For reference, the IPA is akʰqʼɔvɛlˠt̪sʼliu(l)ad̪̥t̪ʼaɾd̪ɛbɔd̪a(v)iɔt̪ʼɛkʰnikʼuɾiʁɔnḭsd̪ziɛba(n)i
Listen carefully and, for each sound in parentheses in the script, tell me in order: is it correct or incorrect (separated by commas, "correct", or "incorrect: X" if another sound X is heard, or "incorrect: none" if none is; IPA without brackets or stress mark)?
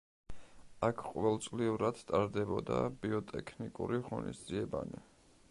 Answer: incorrect: ɾ, incorrect: b, correct